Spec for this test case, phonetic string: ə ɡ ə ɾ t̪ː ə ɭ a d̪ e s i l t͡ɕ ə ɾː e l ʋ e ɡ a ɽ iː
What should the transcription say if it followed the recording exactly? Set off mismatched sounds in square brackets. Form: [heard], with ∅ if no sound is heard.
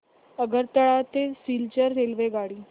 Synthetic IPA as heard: ə ɡ ə ɾ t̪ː ə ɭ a [t̪] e s i l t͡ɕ ə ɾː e l ʋ e ɡ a ɽ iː